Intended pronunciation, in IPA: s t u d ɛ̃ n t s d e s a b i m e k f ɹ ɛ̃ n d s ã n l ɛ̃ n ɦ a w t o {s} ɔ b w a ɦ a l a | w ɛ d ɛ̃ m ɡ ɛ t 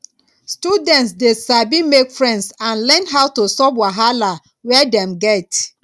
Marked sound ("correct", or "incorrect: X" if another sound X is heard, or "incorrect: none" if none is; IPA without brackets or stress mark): correct